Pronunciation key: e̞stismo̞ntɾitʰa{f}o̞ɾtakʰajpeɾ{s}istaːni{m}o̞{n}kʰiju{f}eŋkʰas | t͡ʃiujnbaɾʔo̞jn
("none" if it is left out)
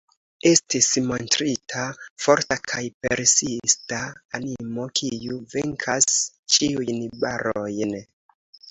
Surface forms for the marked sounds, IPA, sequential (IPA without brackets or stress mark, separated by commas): f, s, m, none, v